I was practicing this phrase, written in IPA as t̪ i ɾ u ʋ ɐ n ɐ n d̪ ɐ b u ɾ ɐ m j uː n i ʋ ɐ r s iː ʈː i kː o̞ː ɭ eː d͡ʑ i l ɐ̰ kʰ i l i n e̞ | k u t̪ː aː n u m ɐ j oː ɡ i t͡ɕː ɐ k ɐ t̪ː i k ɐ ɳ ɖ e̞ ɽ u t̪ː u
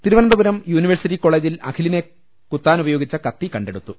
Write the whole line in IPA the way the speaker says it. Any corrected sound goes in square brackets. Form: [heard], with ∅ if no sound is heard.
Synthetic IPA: t̪ i ɾ u ʋ ɐ n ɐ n d̪ ɐ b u ɾ ɐ m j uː n i ʋ ɐ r s [i] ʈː i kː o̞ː ɭ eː d͡ʑ i l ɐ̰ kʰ i l i n e̞ | k u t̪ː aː n u [b] ɐ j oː ɡ i t͡ɕː ɐ k ɐ t̪ː i k ɐ ɳ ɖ e̞ ɽ u t̪ː u